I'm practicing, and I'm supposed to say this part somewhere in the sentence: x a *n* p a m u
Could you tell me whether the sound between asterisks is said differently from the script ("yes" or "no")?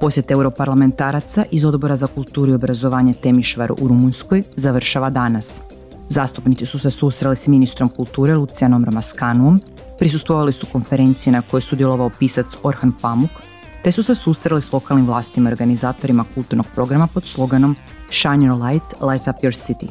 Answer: no